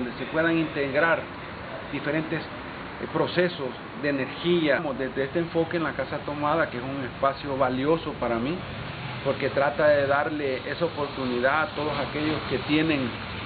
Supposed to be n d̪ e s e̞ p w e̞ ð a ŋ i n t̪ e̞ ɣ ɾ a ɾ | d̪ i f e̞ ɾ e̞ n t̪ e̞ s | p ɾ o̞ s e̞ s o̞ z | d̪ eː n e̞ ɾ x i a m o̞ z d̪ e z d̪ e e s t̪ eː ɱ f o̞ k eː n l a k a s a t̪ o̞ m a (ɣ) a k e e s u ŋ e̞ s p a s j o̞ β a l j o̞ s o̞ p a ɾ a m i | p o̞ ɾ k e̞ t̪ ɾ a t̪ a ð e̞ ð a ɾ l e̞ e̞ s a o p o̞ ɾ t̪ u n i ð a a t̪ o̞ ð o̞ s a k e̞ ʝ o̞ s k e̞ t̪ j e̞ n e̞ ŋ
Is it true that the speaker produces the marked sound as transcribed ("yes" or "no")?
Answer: no